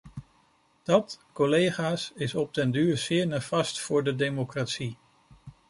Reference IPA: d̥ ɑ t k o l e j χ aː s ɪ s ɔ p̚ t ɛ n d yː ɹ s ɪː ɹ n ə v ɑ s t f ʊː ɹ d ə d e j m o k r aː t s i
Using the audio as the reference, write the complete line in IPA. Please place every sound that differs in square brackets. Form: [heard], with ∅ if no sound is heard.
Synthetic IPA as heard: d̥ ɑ t k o l e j χ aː s ɪ s ɔ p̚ t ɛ n d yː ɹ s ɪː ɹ n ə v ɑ s t f ʊː ɹ d ə d e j m o k r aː t s i